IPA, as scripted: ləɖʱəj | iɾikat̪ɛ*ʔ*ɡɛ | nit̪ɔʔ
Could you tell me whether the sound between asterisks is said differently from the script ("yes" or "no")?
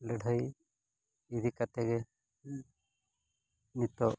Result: yes